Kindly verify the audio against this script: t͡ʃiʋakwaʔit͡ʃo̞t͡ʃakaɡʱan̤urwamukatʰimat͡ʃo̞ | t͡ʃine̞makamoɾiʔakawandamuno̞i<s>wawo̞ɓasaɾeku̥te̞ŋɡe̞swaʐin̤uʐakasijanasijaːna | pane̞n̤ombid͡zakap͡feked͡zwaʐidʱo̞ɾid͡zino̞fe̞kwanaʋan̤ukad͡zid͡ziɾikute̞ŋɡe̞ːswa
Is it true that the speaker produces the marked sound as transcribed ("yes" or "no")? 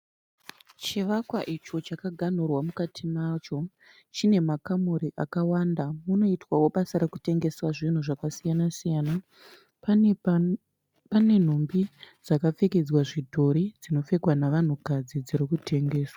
no